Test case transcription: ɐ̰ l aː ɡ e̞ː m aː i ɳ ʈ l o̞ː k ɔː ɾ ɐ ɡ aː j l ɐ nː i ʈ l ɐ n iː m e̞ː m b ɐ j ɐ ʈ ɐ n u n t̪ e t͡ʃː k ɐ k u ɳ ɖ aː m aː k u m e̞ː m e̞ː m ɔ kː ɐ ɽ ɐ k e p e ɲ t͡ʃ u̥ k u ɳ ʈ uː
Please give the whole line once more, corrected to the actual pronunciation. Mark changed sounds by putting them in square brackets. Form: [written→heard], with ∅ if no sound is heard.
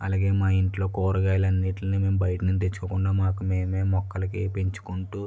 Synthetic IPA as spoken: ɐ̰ l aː ɡ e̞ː m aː i ɳ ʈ l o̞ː k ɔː ɾ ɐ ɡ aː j l ɐ nː i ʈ l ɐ n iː m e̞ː m b ɐ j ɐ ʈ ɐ n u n t̪ e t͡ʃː k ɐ k u ɳ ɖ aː m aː k u m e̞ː m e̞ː m ɔ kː ɐ [ɽ→l] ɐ k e p e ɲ t͡ʃ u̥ k u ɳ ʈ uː